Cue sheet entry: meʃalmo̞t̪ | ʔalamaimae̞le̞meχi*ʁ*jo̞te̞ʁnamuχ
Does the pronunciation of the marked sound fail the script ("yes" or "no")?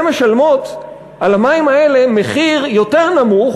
no